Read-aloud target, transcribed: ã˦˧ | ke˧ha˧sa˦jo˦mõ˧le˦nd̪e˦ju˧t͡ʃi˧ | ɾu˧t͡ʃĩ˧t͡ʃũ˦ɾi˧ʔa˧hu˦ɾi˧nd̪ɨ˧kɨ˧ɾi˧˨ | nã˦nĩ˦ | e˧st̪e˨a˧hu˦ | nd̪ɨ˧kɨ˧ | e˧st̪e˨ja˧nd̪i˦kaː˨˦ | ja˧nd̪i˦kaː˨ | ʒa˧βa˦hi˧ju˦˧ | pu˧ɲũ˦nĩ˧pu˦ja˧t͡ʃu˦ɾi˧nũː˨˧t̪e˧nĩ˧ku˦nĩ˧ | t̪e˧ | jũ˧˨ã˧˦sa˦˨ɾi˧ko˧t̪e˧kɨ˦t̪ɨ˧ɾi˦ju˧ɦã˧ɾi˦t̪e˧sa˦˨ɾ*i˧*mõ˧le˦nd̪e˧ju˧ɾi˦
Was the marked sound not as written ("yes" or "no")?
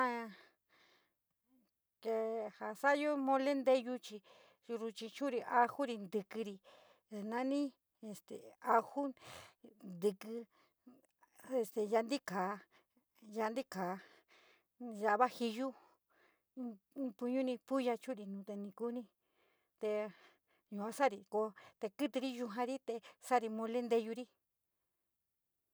no